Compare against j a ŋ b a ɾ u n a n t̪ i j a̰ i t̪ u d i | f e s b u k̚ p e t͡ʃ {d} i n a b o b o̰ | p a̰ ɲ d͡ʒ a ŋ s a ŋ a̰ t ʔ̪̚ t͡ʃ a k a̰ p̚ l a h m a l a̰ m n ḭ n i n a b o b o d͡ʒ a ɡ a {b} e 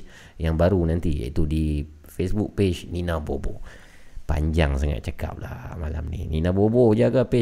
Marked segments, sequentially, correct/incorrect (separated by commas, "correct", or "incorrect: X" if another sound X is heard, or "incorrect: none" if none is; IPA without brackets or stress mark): incorrect: n, incorrect: p